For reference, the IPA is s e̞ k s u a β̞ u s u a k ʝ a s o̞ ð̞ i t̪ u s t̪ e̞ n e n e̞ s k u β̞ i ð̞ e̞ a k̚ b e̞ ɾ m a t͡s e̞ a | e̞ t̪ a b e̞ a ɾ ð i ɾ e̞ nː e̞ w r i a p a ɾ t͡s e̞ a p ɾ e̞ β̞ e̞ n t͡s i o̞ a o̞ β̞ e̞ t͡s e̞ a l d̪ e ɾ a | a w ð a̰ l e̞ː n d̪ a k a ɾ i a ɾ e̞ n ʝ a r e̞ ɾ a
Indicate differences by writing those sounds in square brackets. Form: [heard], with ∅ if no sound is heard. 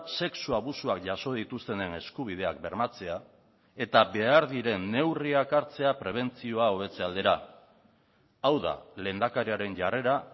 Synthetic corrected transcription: s e̞ k s u a β̞ u s u a k ʝ a s o̞ ð̞ i t̪ u s t̪ e̞ n e n e̞ s k u β̞ i ð̞ e̞ a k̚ b e̞ ɾ m a t͡s e̞ a | e̞ t̪ a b e̞ a ɾ ð i ɾ e̞ nː e̞ w r i a [k] a ɾ t͡s e̞ a p ɾ e̞ β̞ e̞ n t͡s i o̞ a o̞ β̞ e̞ t͡s e̞ a l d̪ e ɾ a | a w ð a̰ l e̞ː n d̪ a k a ɾ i a ɾ e̞ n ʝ a r e̞ ɾ a